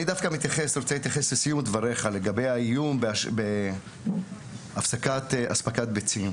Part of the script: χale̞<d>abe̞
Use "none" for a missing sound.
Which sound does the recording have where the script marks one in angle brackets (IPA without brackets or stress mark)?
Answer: ɡ